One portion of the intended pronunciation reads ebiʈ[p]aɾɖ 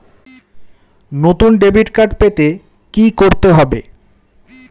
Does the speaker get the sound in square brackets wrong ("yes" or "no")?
yes